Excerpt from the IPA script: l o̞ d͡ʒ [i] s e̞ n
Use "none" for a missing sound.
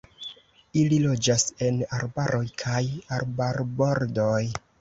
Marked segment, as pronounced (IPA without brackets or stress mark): a